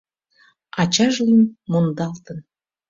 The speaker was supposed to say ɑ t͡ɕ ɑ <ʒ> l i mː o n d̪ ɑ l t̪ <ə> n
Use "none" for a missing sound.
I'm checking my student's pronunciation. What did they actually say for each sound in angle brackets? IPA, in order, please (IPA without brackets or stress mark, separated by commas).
ʒ, ə